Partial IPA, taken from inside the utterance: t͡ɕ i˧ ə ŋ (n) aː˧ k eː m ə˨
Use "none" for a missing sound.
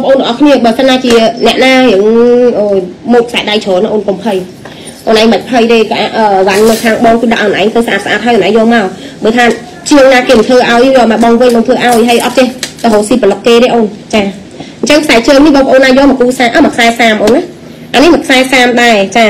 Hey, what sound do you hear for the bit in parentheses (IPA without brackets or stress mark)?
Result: n